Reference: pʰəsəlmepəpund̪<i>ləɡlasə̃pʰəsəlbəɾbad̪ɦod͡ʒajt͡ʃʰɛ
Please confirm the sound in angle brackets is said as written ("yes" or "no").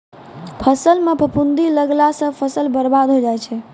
yes